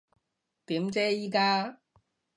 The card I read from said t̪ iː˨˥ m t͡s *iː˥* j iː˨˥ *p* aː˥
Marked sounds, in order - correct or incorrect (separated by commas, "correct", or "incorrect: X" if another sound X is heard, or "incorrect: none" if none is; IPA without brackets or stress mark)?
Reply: incorrect: ɛː˥, incorrect: k